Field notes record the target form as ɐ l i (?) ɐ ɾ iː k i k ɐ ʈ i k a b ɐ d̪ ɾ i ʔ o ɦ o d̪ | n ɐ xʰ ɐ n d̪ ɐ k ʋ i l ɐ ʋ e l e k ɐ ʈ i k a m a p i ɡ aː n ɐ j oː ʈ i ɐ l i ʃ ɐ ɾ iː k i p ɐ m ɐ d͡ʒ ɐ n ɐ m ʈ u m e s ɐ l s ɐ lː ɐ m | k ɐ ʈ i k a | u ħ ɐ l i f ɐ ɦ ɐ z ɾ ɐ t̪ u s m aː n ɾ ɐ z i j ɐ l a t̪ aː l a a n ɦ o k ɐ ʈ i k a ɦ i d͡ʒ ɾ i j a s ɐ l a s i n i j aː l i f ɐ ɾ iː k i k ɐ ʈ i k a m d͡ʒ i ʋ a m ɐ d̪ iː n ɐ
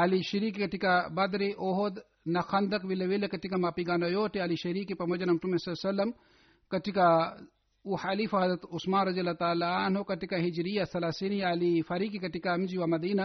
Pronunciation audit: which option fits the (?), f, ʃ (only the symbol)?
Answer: ʃ